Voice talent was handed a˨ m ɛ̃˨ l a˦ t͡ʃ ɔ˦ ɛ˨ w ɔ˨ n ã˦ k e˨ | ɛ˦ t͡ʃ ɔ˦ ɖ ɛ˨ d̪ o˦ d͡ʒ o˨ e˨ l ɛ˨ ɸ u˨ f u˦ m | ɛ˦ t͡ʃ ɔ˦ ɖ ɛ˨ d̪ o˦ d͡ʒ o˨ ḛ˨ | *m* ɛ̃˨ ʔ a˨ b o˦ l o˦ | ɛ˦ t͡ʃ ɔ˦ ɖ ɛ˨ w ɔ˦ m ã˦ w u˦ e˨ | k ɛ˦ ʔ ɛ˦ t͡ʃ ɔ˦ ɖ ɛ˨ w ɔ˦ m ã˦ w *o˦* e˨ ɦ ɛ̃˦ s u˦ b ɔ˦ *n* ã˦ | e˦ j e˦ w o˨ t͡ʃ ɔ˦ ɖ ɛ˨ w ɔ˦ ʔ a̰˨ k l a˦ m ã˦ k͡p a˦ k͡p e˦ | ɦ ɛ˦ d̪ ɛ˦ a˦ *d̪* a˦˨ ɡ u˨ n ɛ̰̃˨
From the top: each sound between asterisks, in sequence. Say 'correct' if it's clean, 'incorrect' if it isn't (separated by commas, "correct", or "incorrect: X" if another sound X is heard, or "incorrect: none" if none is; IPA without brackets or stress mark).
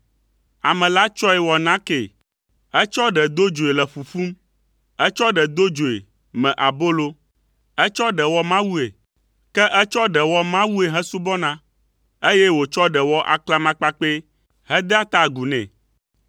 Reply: correct, incorrect: u˦, correct, incorrect: t̪